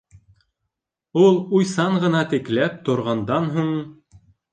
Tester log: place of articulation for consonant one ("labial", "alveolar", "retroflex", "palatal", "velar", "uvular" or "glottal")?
alveolar